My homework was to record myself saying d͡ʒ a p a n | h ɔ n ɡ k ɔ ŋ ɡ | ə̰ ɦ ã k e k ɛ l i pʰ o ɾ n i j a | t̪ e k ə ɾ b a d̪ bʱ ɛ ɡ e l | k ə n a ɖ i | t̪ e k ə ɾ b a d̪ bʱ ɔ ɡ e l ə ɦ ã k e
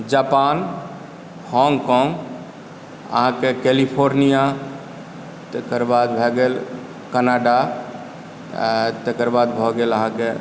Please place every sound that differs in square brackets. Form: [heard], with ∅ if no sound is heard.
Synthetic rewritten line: d͡ʒ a p a n | h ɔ [ŋ] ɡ k ɔ ŋ ɡ | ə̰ ɦ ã k e k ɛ l i pʰ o ɾ n i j a | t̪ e k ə ɾ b a d̪ bʱ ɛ ɡ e l | k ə n a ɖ [a] | t̪ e k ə ɾ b a d̪ bʱ ɔ ɡ e l ə ɦ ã k e